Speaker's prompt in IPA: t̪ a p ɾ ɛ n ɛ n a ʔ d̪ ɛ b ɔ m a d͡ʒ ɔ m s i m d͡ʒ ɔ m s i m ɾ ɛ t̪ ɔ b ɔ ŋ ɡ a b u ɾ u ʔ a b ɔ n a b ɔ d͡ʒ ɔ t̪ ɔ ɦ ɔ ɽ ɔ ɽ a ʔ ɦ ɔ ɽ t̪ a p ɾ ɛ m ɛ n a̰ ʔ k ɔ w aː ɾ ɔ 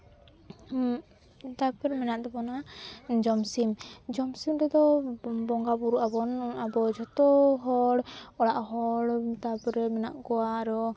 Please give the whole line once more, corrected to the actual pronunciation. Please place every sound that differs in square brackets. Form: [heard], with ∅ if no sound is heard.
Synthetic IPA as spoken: t̪ a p ɾ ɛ [m] ɛ n a ʔ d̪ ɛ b ɔ [n] a d͡ʒ ɔ m s i m d͡ʒ ɔ m s i m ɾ ɛ [d̪] ɔ b ɔ ŋ ɡ a b u ɾ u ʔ a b ɔ n a b ɔ d͡ʒ ɔ t̪ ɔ ɦ ɔ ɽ ɔ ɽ a ʔ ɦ ɔ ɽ t̪ a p ɾ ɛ m ɛ n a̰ ʔ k ɔ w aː ɾ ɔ